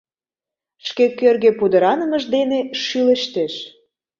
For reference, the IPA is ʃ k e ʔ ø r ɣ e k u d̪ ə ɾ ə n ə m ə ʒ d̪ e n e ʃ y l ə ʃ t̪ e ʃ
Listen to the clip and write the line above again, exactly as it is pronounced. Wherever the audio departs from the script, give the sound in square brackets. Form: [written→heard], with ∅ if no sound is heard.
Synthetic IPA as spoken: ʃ k e [ʔ→k] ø r ɣ e [k→p] u d̪ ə ɾ [ə→ɑ] n ə m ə ʒ d̪ e n e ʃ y l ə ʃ t̪ e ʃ